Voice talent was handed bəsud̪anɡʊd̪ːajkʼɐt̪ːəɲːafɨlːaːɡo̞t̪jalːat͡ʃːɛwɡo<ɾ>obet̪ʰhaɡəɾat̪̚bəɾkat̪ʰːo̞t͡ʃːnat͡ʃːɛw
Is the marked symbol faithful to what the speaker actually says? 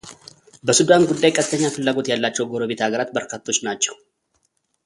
yes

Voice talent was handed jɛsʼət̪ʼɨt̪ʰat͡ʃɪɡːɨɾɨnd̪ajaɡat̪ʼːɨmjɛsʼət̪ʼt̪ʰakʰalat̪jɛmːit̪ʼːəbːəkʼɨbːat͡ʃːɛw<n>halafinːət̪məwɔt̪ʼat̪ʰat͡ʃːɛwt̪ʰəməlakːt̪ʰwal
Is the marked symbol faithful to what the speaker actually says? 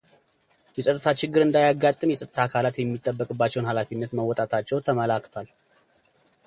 yes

